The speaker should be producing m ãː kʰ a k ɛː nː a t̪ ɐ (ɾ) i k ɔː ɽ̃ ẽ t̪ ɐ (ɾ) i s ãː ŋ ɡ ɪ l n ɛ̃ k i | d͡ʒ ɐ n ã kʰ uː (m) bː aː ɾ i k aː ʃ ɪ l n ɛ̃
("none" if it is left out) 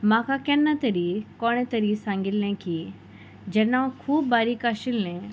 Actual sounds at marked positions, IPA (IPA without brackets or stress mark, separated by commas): ɾ, ɾ, none